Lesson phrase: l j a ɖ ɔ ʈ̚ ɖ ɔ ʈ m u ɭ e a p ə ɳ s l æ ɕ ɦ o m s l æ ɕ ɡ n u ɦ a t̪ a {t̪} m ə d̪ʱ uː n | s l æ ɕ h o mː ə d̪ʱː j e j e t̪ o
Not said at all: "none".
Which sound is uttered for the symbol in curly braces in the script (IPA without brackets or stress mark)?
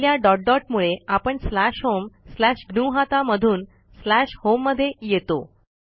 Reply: none